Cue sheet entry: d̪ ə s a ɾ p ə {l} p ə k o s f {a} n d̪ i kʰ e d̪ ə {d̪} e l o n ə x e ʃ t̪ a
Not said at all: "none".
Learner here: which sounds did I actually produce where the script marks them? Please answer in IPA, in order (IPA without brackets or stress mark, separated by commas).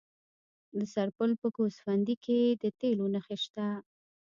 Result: l, a, t̪